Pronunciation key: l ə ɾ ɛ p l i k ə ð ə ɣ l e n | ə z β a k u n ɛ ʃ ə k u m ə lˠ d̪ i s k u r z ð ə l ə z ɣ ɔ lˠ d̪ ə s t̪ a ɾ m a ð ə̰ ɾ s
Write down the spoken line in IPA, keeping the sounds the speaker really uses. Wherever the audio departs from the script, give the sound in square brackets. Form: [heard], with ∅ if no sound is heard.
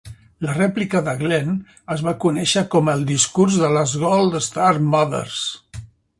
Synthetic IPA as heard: l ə [r] ɛ p l i k ə ð ə ɣ l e n | ə z β a k u n ɛ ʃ ə k [ɔ] m ə lˠ d̪ i s k u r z ð ə l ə z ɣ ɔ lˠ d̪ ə s t̪ a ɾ m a ð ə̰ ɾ s